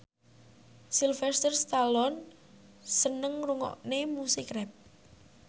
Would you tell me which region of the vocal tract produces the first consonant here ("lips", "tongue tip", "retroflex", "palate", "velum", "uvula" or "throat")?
tongue tip